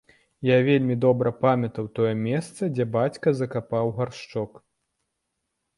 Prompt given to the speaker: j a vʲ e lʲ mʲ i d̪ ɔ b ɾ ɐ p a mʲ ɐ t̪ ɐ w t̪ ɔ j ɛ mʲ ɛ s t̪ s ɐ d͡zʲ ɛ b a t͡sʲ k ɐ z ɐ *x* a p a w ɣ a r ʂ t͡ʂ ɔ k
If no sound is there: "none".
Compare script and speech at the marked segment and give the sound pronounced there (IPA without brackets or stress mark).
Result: k